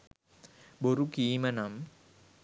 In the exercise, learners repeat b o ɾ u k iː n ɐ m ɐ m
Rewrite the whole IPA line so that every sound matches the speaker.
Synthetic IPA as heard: b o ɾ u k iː m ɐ n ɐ m